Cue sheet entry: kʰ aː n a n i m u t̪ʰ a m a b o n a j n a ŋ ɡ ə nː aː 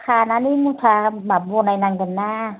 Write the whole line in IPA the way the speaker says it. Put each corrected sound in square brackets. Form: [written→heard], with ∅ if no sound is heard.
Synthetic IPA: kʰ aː n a n i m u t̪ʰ a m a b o n a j n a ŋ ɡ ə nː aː